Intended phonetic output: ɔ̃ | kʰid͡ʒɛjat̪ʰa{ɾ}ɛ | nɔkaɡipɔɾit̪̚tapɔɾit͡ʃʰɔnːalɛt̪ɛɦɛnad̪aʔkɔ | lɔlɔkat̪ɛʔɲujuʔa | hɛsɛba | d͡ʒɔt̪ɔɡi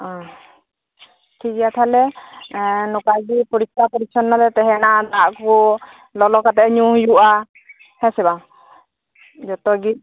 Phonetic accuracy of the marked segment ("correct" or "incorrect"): incorrect